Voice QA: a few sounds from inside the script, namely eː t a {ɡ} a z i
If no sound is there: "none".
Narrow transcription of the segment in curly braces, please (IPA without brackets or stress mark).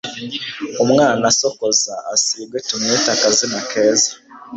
k